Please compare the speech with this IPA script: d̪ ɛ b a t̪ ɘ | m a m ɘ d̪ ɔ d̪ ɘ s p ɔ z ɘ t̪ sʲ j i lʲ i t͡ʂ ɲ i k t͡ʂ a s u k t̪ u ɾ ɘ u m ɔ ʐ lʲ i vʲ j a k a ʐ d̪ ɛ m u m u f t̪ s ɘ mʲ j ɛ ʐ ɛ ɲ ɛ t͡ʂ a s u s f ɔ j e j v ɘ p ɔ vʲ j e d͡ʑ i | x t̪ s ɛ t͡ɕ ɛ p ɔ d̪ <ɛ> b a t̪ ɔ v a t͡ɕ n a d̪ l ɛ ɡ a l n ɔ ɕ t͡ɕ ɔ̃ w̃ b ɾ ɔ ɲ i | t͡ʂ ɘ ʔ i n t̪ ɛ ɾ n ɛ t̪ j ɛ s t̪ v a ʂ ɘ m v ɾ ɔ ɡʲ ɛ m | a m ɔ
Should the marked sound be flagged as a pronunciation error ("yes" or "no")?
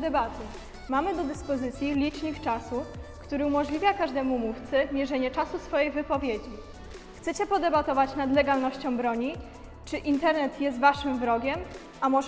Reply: no